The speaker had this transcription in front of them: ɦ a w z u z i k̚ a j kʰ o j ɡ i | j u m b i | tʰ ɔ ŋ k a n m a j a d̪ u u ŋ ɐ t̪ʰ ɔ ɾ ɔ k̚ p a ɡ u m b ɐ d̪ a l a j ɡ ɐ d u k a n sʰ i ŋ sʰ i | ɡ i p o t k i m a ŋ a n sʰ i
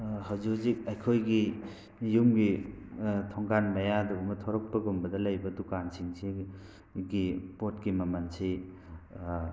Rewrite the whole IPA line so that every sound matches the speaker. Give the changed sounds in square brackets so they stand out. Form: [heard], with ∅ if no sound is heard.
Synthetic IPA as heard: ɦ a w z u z i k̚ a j kʰ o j ɡ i | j u m [ɡ] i | tʰ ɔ ŋ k a n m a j a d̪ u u [m] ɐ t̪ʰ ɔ ɾ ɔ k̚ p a ɡ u m b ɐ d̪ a l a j [b] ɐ d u k a n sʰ i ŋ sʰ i | ɡ i p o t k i m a [m] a n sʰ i